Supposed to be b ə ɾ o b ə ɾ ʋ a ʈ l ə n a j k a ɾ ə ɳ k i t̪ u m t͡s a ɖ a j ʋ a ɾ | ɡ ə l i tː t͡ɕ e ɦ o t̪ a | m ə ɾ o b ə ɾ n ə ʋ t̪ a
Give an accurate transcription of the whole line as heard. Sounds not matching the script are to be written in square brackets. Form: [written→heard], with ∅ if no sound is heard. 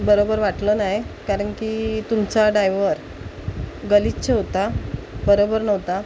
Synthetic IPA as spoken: b ə ɾ o b ə ɾ ʋ a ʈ l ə n a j k a ɾ ə ɳ k i t̪ u m t͡s a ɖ a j ʋ [a→ə] ɾ | ɡ ə l i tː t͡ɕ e ɦ o t̪ a | [m→b] ə ɾ o b ə ɾ n ə ʋ t̪ a